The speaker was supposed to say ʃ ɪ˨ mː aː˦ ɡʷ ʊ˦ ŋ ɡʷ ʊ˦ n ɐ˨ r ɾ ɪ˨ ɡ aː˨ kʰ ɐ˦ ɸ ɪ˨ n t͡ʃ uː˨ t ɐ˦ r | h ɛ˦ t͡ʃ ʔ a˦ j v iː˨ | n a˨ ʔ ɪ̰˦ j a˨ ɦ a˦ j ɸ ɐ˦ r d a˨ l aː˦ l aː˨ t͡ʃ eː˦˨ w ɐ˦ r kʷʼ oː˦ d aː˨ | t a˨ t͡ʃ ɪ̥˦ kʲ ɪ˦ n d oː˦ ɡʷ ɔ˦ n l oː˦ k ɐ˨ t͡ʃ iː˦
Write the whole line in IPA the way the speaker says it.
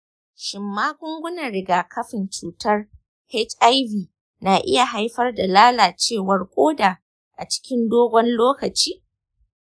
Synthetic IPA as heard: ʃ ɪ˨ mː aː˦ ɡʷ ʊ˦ ŋ ɡʷ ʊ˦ n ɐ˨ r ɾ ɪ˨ ɡ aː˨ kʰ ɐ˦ ɸ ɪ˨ n t͡ʃ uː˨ t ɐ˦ r | h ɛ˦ t͡ʃ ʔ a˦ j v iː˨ | n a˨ ʔ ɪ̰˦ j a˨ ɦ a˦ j ɸ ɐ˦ r d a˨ l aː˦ l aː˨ t͡ʃ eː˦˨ w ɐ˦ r kʷʼ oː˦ d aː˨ | ʔ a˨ t͡ʃ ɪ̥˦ kʲ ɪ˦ n d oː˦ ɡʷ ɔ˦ n l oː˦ k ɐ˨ t͡ʃ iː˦